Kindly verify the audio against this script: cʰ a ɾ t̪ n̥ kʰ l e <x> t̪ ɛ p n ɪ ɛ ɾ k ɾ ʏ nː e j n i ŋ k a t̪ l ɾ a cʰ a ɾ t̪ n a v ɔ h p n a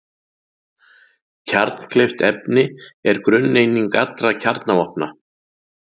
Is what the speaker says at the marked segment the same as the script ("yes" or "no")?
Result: no